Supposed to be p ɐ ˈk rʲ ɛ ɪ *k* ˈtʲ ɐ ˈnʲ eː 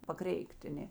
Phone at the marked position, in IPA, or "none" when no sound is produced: k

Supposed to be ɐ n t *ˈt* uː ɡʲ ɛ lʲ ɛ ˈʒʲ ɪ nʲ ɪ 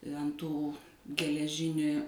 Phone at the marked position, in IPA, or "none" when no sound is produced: t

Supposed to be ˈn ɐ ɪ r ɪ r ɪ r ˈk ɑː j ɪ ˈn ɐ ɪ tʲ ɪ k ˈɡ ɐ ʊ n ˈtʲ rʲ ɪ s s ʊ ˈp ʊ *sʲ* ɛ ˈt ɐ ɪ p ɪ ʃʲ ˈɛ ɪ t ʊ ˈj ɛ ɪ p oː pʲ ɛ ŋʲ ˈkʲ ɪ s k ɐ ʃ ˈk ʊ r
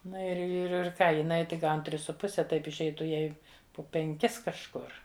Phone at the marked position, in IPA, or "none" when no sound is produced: sʲ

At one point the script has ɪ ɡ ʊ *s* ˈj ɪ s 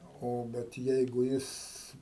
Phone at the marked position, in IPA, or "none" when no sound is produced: none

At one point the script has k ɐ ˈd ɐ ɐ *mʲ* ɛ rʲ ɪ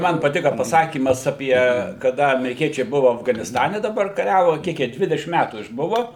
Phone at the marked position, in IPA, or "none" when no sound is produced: mʲ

